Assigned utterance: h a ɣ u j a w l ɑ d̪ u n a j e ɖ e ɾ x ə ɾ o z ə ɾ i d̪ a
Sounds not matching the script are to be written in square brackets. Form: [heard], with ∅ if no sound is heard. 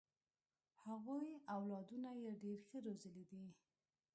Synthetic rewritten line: h a ɣ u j a w l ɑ d̪ u n a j e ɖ e ɾ x ə ɾ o z ə [l] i d̪ [i]